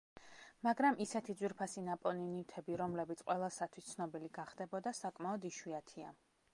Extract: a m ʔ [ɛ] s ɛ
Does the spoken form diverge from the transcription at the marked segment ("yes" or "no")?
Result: yes